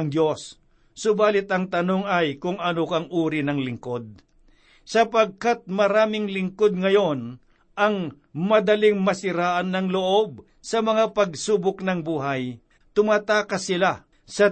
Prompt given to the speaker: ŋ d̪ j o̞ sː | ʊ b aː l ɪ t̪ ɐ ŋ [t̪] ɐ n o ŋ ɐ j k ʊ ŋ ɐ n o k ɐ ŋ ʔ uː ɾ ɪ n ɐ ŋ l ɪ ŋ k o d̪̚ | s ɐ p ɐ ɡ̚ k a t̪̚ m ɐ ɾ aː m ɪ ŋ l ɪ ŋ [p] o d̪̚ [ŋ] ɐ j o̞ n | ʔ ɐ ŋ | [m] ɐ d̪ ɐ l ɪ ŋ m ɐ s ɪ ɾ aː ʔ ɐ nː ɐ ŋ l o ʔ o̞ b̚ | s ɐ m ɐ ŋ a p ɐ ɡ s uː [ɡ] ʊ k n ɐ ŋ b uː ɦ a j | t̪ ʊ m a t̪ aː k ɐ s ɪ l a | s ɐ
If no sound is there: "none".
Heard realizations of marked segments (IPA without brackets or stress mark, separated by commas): t̪, k, ŋ, m, b